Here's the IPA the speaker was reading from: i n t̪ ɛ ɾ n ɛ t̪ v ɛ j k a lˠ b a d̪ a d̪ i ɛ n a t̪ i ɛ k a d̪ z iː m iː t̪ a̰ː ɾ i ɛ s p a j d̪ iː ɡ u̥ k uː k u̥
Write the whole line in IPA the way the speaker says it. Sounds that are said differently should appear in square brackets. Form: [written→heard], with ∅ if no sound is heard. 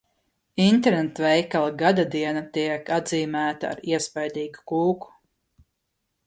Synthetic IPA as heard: i n t̪ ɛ ɾ n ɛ t̪ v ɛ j k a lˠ [b→ɡ] a d̪ a d̪ i ɛ n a t̪ i ɛ k a d̪ z iː m [iː→æː] t̪ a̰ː ɾ i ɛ s p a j d̪ iː ɡ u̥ k uː k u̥

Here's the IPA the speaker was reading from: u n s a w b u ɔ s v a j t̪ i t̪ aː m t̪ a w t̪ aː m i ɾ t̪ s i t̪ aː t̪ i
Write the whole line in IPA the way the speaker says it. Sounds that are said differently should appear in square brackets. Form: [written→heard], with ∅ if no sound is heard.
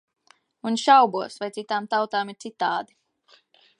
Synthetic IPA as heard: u n [s→ʃ] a w b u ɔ s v a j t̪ i t̪ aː m t̪ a w t̪ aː m i ɾ t̪ s i t̪ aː [t̪→d̪] i

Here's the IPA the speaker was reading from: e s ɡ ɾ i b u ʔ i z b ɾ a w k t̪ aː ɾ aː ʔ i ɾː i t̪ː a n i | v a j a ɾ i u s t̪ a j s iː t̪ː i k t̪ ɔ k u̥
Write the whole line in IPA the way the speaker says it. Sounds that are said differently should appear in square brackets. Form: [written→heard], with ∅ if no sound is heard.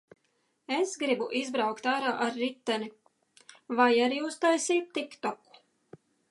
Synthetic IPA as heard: e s ɡ ɾ i b u ʔ i z b ɾ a w k t̪ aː ɾ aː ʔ [i→a] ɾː i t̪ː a n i | v a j a ɾ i u s t̪ a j s iː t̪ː i k t̪ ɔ k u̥

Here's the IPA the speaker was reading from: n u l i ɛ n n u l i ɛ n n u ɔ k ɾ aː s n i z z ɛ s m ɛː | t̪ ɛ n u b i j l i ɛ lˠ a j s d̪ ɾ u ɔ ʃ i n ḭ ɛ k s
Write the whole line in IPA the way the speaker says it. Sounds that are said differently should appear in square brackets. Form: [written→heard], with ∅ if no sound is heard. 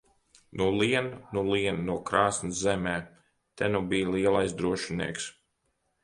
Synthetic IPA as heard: n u l i ɛ n n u l i ɛ n n u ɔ k ɾ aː s n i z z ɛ [s→∅] m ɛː | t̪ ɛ n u b i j l i ɛ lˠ a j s d̪ ɾ u ɔ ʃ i n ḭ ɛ k s

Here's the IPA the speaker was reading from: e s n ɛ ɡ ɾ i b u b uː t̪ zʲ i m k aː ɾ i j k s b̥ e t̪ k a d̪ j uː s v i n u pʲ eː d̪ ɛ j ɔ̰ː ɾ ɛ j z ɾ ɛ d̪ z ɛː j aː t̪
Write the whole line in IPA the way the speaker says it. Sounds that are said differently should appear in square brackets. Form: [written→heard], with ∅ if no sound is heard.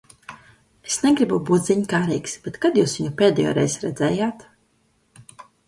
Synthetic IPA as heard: e s n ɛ ɡ ɾ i b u b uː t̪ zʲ i [m→ɲ] k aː ɾ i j k s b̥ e t̪ k a d̪ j uː s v i [n→ɲ] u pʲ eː d̪ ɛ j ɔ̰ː ɾ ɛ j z ɾ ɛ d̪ z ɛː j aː t̪

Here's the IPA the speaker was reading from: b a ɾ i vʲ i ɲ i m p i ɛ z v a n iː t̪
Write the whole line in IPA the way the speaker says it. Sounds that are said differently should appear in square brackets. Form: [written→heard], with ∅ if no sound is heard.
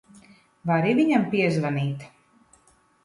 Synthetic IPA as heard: [b→v] a ɾ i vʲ i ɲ [i→a] m p i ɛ z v a n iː t̪

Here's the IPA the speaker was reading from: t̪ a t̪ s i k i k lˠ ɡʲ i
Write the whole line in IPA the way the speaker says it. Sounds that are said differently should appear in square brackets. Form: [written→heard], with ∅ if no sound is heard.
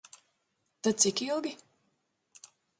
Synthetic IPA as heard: t̪ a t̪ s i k i [k→∅] lˠ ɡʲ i

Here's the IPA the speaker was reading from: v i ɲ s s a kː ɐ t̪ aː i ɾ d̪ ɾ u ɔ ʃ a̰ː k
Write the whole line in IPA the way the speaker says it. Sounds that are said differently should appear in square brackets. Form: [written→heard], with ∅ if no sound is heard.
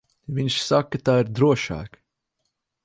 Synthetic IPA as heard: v i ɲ [s→ʃ] s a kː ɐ t̪ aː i ɾ d̪ ɾ u ɔ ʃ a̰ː k

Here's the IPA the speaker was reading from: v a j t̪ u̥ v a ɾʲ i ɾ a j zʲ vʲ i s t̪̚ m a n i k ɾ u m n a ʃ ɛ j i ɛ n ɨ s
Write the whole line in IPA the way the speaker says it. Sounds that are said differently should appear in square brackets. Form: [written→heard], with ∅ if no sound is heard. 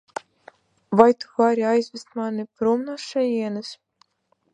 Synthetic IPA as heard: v a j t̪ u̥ v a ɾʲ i [ɾ→∅] a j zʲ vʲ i s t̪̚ m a n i [k→p] ɾ u m n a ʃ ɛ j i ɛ n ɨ s

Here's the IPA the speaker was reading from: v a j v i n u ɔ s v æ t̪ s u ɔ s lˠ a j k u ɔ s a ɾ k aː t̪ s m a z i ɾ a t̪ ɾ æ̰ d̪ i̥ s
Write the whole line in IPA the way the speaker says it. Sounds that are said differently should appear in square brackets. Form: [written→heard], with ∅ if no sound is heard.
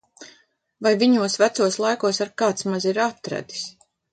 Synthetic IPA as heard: v a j v i [n→ɲ] u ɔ s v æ t̪ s u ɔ s lˠ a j k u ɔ s a ɾ k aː t̪ s m a z i ɾ a t̪ ɾ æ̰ d̪ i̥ s

